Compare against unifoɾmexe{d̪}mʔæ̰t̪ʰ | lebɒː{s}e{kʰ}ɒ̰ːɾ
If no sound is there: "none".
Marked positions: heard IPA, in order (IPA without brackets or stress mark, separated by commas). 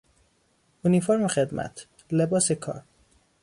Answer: d̪, s, kʰ